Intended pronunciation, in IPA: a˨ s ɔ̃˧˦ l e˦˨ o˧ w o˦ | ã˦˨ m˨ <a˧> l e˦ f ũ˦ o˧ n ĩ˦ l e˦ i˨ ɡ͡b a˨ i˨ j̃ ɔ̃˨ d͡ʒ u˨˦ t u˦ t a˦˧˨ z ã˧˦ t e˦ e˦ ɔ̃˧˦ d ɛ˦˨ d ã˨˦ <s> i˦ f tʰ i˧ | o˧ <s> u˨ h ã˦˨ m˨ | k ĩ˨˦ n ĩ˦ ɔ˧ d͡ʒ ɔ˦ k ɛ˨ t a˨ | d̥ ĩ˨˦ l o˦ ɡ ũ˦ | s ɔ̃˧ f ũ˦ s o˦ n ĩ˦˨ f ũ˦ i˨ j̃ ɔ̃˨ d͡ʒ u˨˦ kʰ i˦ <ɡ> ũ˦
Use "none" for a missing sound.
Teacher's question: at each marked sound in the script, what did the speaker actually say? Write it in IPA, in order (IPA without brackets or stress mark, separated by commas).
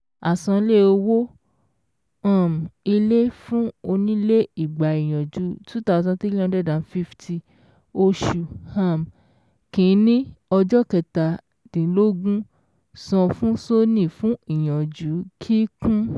i˧, f, ʃ, k